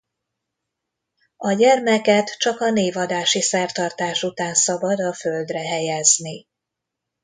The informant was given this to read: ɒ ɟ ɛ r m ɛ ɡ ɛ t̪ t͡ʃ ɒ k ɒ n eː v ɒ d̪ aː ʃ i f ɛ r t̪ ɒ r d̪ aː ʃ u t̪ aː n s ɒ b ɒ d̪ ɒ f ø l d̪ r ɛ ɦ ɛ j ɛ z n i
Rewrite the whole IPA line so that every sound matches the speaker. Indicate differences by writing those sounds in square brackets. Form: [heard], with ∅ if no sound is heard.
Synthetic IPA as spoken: ɒ ɟ ɛ r m ɛ [k] ɛ t̪ t͡ʃ ɒ k ɒ n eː v ɒ d̪ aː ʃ i [s] ɛ r t̪ ɒ r [t̪] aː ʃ u t̪ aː n s ɒ b ɒ d̪ ɒ f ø l d̪ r ɛ ɦ ɛ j ɛ z n i